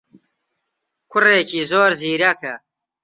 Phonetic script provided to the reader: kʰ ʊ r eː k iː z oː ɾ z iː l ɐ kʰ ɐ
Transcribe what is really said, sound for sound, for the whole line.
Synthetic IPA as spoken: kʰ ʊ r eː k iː z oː ɾ z iː ɾ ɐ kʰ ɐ